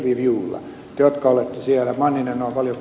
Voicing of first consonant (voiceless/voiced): voiced